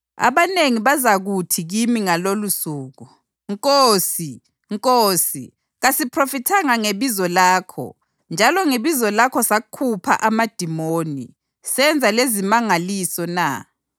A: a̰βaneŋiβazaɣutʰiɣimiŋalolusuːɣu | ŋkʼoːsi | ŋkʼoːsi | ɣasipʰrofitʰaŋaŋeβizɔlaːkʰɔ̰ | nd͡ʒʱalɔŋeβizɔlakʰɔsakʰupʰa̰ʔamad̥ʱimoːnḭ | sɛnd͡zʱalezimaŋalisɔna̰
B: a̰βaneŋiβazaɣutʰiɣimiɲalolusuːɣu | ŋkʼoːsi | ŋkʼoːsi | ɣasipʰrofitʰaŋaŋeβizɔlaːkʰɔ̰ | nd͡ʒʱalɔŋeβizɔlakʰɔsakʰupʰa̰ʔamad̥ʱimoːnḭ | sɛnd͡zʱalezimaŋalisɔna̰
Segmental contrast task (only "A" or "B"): A